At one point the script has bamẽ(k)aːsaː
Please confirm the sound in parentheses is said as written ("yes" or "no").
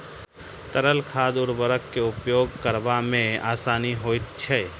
no